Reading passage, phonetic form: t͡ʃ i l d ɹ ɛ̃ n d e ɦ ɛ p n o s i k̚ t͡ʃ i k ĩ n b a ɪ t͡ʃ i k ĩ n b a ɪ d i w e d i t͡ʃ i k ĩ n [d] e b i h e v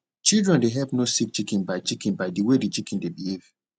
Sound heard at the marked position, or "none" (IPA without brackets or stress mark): d